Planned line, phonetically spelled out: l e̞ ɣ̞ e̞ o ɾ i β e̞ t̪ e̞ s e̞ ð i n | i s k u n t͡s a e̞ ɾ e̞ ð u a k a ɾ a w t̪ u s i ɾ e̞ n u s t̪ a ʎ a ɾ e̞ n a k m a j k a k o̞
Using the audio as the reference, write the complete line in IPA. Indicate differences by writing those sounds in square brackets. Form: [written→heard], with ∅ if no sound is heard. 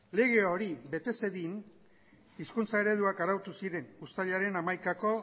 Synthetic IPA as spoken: l e̞ ɣ̞ e̞ o ɾ i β e̞ t̪ e̞ s e̞ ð i n | i s k u n t͡s a e̞ ɾ e̞ ð u a k a ɾ a w t̪ u s i ɾ e̞ n u s t̪ a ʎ a ɾ e̞ n a [k→∅] m a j k a k o̞